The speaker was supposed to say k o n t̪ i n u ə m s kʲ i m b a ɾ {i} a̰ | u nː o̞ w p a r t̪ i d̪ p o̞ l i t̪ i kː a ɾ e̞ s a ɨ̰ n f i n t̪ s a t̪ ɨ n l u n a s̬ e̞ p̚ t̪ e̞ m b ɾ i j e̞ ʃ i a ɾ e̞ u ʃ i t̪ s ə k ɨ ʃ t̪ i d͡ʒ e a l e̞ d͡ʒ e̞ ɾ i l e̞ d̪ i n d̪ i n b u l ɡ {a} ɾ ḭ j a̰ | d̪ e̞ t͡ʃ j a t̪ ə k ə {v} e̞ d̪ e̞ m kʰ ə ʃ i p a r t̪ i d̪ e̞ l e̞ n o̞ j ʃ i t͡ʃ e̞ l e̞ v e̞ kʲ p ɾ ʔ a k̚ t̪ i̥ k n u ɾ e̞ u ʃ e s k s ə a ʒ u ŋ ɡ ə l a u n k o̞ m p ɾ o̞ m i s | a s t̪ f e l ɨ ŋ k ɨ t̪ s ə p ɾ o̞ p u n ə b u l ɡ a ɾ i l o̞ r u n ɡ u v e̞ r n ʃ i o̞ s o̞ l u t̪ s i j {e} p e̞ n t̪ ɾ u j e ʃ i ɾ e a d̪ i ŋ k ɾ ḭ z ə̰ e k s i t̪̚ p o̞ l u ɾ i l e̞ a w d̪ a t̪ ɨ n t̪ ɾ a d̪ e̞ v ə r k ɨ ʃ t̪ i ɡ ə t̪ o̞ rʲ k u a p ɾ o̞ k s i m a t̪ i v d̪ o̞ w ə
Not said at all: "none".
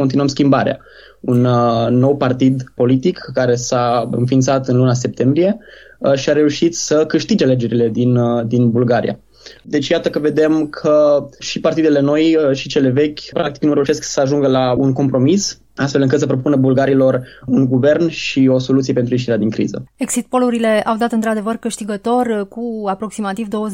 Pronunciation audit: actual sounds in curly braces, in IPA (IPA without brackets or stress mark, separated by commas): e, a, v, e